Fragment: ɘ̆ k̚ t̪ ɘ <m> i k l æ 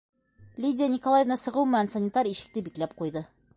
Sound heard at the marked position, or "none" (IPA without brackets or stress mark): b